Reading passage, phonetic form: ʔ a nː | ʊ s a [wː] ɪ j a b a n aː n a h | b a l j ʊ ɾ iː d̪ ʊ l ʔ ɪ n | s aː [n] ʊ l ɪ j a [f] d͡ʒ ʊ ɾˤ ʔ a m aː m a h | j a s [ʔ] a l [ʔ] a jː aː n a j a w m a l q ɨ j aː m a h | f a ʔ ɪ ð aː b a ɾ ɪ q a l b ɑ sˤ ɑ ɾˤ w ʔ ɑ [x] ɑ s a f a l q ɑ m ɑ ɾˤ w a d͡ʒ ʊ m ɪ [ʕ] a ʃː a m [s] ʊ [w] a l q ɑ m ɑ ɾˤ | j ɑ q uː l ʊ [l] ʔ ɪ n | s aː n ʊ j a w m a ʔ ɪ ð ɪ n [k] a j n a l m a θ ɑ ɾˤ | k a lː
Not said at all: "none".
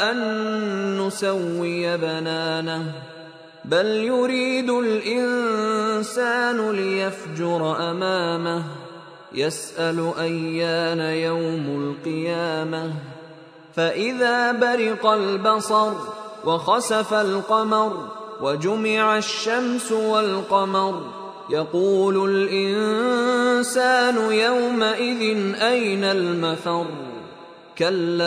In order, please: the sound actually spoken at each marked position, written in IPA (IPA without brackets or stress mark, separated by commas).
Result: wː, n, f, ʔ, ʔ, x, ʕ, s, w, l, ʔ